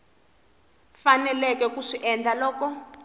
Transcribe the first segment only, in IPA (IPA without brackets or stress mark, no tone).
f